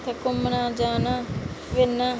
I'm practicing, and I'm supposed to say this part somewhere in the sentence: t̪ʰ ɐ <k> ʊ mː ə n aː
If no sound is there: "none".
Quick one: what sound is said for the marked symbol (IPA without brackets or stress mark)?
k